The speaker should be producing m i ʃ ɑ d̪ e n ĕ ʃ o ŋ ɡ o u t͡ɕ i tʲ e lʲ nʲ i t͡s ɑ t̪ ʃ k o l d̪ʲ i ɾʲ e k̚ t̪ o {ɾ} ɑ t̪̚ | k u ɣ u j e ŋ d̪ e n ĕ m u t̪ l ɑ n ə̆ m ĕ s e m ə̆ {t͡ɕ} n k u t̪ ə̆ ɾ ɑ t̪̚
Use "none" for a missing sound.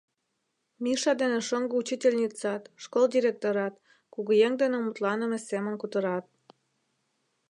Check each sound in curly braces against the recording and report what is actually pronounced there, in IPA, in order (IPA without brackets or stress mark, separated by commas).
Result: ɾ, none